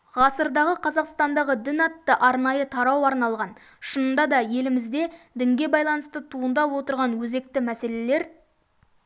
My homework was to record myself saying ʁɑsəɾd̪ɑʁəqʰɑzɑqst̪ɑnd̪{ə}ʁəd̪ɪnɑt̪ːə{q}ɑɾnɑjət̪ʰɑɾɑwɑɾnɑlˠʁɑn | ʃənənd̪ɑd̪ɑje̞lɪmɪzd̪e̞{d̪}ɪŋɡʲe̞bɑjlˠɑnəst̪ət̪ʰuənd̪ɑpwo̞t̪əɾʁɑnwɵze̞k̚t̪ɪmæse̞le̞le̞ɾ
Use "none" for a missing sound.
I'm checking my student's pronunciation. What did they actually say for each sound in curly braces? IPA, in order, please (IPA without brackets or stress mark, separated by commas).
ɑ, ʔ, d̪